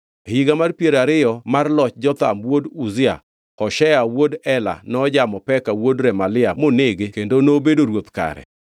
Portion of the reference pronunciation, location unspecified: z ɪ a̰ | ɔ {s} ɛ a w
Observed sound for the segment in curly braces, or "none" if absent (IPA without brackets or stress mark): ʃ